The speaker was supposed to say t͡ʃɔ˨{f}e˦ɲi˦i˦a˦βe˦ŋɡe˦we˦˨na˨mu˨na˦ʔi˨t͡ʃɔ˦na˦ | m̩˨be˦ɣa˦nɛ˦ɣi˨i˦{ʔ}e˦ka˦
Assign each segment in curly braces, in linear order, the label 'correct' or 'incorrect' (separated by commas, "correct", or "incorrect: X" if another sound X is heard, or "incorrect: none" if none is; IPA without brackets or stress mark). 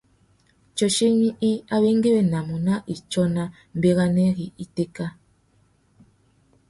incorrect: ʃ, incorrect: t